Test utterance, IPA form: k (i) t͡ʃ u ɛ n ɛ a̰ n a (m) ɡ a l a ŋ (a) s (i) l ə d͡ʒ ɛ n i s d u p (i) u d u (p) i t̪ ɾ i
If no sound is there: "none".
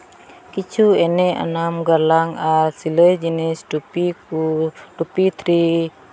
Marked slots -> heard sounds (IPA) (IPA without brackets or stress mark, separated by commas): i, m, a, i, i, p